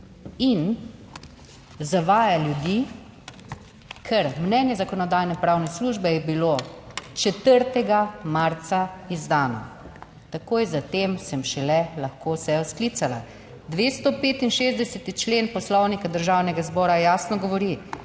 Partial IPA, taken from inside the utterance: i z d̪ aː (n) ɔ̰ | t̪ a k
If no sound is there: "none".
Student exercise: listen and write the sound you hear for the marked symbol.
n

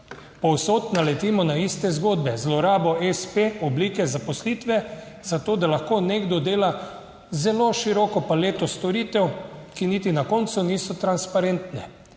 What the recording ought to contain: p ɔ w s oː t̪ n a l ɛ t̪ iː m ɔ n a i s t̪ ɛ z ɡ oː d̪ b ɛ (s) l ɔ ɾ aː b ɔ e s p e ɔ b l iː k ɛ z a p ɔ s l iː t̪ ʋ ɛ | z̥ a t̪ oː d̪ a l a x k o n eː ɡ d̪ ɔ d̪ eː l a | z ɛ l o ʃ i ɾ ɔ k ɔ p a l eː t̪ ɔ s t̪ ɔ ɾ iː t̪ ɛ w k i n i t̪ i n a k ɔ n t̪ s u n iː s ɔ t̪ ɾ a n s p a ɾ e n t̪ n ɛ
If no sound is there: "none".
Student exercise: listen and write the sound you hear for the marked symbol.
z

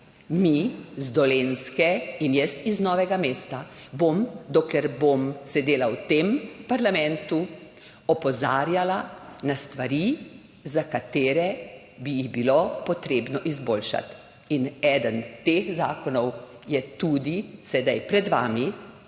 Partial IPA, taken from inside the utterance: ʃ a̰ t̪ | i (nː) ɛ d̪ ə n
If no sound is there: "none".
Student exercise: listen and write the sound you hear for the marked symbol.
n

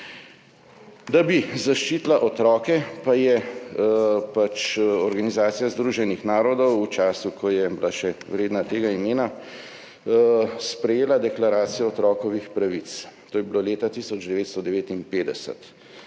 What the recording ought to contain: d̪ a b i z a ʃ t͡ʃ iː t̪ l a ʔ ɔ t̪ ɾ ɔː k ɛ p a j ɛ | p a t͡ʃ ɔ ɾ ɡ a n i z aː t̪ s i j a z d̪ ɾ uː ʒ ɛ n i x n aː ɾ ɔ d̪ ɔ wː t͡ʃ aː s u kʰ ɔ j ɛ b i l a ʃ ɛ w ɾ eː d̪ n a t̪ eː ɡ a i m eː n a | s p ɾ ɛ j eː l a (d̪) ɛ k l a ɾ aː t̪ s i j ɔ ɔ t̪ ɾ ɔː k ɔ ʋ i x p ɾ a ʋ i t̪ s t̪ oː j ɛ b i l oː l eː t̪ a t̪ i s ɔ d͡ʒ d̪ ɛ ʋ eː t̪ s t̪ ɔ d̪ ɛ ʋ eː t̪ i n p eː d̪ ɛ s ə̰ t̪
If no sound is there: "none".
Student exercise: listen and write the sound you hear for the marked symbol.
d̪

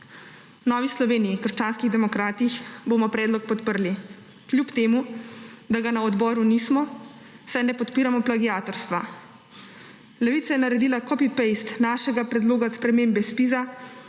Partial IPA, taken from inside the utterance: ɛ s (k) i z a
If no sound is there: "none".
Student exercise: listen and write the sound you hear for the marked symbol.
p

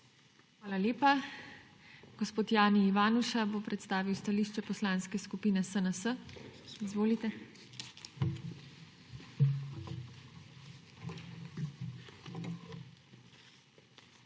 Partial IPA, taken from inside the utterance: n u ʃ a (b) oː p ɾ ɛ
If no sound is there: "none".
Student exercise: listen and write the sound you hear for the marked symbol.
b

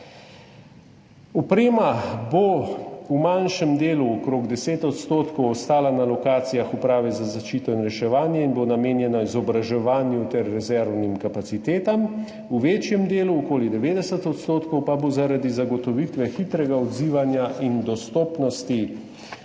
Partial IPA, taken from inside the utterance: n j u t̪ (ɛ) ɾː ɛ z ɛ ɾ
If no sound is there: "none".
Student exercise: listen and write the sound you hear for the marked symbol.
ɛ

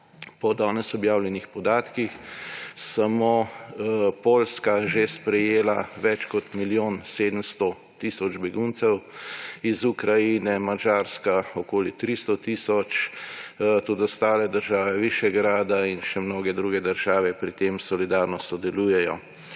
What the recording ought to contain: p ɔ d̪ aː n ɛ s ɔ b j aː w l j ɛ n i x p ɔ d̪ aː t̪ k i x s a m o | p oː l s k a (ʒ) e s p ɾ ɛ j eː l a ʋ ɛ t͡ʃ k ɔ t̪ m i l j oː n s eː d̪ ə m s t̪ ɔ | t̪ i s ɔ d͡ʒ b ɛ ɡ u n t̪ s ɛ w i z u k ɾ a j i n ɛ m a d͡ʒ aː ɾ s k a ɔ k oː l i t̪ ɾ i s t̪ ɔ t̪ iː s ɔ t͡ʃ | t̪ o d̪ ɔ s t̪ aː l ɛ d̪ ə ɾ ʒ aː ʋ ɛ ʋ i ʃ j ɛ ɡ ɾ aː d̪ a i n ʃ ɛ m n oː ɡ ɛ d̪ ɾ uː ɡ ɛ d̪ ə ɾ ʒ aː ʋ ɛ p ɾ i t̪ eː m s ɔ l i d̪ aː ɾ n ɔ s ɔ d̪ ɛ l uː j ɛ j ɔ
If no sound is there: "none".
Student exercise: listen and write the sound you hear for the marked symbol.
ʒ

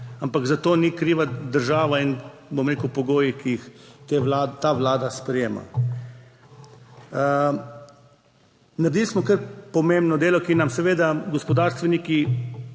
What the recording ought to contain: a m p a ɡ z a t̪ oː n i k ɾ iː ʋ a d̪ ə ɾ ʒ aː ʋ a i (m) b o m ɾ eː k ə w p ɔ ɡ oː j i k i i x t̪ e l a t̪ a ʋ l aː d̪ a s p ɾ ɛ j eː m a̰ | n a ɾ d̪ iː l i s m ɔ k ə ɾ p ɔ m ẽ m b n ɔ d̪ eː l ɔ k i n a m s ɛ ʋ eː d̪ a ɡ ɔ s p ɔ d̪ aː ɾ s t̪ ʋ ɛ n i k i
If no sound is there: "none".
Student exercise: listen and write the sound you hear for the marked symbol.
n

